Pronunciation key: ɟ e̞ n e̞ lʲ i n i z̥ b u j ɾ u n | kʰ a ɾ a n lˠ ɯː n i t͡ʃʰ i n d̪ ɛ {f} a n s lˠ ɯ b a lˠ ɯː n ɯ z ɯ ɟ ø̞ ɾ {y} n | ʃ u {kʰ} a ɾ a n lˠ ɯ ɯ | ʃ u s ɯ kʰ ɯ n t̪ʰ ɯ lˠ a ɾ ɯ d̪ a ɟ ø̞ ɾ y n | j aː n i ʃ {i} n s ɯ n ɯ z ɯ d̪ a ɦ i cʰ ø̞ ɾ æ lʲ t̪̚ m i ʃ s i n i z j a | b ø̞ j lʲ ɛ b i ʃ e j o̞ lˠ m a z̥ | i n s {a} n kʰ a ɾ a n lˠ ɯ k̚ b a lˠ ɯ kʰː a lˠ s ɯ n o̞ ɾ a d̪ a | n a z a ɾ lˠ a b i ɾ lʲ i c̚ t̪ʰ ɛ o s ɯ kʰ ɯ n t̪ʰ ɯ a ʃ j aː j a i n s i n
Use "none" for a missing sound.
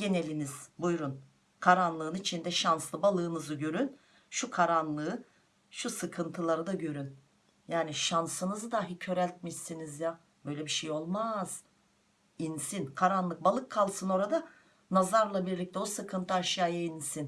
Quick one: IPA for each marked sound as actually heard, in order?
ʃ, y, kʰ, a, i

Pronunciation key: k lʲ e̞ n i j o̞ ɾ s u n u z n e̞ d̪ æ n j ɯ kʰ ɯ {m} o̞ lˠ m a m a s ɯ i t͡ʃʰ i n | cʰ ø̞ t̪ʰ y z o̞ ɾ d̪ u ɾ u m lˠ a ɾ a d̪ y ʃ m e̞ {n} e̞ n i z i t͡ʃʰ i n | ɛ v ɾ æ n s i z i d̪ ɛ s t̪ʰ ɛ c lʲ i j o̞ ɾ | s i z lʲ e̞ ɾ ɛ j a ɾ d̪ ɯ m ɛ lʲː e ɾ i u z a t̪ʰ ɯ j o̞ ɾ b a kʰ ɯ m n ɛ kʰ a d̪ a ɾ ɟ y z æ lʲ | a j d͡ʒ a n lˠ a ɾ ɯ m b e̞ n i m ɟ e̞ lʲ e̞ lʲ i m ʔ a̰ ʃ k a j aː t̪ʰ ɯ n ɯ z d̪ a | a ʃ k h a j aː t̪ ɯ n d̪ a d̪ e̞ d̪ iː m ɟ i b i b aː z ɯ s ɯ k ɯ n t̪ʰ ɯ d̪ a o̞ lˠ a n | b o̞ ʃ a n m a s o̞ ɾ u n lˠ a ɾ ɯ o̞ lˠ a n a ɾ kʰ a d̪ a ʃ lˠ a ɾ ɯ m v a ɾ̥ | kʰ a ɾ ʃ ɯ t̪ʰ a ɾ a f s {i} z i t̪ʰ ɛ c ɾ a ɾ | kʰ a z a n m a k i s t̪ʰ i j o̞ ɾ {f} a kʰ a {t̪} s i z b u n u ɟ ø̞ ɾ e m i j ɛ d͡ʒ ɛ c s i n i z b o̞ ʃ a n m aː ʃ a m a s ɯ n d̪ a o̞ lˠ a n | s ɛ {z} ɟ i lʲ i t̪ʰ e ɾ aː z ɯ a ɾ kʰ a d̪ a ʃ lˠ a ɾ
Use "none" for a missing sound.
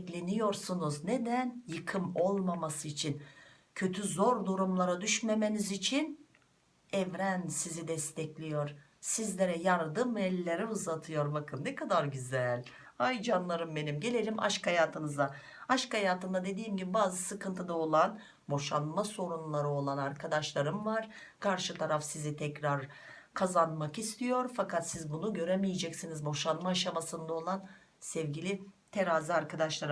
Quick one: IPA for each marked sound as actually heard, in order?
m, m, i, f, t̪, v

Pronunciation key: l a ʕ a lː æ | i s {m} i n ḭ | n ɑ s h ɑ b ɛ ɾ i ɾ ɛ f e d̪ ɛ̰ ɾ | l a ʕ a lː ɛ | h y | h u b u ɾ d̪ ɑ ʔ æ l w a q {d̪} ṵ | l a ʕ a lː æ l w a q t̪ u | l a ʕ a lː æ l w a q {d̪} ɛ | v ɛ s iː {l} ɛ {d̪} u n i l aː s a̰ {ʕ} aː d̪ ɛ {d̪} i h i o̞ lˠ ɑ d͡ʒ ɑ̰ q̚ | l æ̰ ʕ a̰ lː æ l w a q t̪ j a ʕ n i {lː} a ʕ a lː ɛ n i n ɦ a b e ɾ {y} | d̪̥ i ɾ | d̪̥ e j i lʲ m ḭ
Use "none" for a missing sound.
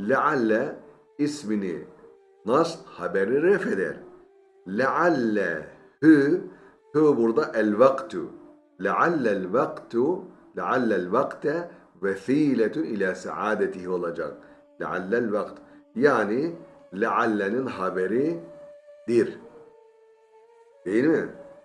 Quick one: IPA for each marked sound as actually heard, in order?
m, t̪, t̪, l, t̪, ʕ, t̪, l, i

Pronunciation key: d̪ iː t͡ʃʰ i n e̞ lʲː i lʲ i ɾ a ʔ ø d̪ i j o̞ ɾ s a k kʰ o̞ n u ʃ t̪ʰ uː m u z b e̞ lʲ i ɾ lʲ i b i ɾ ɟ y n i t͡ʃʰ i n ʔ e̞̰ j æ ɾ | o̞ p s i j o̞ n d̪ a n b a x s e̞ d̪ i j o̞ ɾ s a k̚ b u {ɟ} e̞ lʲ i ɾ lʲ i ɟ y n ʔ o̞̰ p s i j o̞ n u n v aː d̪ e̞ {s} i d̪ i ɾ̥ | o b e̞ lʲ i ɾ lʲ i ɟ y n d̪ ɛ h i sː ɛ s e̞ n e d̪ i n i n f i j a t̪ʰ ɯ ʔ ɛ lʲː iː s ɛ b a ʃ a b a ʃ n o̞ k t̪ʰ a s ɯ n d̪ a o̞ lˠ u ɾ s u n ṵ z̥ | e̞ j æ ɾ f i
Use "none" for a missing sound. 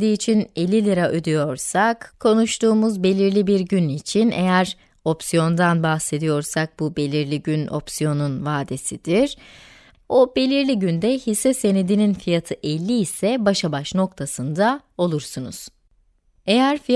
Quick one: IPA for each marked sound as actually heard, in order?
b, s

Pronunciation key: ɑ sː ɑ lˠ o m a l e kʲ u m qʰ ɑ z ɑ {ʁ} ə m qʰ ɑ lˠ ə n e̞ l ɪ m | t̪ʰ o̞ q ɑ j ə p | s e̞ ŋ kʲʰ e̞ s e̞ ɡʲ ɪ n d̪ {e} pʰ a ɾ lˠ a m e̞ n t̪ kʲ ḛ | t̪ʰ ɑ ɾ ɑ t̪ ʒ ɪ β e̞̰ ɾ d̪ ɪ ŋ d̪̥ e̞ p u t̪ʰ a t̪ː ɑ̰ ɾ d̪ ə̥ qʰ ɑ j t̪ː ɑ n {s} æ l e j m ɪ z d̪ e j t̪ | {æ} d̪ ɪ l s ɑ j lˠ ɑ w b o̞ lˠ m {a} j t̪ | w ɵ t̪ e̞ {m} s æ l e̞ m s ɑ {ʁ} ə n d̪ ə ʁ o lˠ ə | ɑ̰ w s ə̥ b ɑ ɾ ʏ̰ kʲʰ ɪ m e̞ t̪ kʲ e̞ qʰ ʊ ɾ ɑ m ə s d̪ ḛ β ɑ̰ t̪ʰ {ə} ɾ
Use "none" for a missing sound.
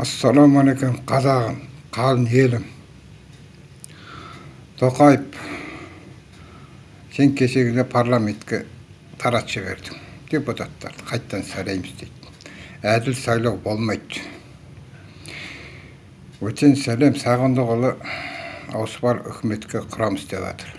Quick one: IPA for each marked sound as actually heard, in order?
ʁ, e, s, æ, ɑ, n, ʁ, ə

